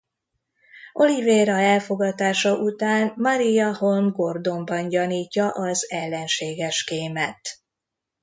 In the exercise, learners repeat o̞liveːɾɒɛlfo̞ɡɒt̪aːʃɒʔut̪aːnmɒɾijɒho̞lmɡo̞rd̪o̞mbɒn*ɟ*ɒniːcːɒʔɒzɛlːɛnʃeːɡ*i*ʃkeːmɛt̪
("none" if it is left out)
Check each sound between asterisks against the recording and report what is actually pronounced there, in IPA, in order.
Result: ɟ, ɛ

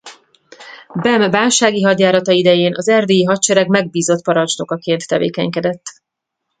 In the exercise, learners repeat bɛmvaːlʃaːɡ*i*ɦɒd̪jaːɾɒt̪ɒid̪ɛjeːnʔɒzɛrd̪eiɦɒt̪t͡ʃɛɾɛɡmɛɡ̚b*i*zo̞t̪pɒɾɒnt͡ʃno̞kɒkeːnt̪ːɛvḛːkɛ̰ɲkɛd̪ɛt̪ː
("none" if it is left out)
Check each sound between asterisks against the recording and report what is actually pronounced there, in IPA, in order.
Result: i, iː

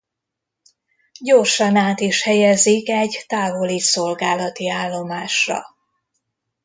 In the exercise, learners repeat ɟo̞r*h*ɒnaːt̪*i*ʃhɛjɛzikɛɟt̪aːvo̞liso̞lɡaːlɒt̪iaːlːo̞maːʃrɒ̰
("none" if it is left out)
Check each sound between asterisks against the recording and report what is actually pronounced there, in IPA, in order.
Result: ʃ, i

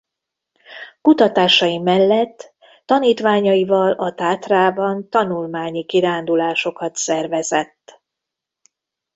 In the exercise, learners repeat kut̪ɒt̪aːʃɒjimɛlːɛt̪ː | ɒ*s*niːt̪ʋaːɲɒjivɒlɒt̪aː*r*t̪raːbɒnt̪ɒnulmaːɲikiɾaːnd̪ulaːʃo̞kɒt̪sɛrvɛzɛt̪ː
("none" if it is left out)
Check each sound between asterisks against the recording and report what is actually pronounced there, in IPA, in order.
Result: none, none

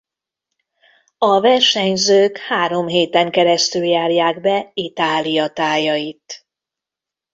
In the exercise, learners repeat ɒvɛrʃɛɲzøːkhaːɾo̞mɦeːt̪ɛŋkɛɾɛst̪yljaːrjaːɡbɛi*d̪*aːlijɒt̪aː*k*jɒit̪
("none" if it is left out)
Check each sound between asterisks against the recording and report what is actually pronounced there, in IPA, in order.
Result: t̪, none

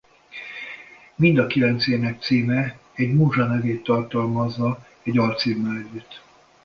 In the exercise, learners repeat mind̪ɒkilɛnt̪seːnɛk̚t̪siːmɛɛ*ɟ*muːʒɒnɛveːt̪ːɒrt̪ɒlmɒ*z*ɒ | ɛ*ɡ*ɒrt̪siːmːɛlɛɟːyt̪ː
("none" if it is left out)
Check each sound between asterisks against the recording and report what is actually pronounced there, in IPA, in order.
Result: ɟ, zː, ɟ

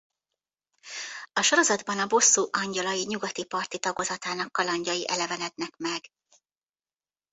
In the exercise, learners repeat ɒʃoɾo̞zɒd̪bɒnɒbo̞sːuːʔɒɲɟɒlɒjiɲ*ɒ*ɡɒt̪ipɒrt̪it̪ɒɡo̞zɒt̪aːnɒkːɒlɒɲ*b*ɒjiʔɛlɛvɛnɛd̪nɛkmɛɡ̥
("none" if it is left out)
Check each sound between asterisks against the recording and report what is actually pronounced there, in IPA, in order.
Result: u, ɟ

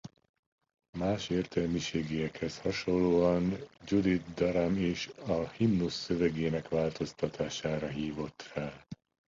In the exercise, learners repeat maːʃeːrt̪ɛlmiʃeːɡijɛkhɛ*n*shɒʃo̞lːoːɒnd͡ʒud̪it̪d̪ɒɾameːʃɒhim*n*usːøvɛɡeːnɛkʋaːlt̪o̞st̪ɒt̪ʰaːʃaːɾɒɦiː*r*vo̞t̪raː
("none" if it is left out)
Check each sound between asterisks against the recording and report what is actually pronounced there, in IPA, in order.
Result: none, n, none

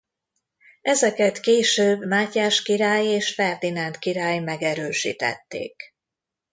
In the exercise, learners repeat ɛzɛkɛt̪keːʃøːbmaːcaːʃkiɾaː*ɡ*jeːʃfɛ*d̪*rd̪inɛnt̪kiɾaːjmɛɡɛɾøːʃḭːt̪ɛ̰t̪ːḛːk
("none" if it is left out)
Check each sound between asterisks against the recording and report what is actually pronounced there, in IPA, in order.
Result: none, none

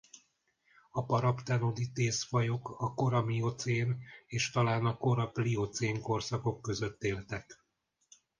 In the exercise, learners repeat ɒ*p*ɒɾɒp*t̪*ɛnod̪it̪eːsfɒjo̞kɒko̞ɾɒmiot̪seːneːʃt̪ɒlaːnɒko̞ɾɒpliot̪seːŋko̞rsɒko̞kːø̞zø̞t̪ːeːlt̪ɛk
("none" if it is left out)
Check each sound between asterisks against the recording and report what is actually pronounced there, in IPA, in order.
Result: p, t̪

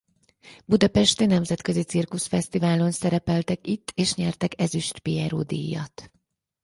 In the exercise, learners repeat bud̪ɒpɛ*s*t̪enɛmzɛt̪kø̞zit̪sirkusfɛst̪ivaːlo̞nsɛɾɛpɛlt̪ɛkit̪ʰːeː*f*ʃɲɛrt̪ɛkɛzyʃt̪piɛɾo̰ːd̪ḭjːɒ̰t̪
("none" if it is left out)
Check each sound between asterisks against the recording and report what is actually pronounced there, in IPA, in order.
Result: ʃ, none

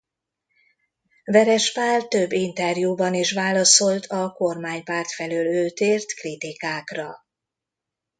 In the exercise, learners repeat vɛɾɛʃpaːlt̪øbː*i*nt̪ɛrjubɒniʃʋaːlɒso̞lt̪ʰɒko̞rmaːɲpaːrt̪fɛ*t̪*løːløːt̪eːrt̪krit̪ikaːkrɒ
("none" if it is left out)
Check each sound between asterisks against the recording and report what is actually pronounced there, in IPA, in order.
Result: i, none

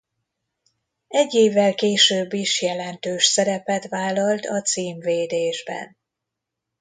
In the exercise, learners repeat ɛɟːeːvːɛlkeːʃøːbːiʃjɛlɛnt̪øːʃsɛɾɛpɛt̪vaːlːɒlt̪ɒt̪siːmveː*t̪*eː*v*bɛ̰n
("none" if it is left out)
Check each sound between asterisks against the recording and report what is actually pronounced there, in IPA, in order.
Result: d̪, ʒ

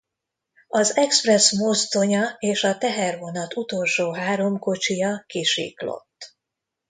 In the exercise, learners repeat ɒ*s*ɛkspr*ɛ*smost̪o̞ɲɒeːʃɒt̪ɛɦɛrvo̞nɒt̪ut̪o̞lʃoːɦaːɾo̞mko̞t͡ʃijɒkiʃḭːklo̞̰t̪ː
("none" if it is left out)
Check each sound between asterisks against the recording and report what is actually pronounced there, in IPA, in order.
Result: z, ɛ

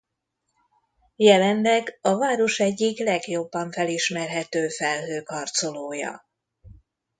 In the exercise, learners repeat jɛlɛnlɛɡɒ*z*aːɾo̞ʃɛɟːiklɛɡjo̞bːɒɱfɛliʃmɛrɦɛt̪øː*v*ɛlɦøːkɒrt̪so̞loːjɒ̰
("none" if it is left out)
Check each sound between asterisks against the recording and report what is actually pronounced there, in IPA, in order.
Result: v, f

